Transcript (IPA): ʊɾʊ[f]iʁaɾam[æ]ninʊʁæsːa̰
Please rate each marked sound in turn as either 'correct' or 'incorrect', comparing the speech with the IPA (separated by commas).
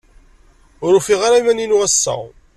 correct, correct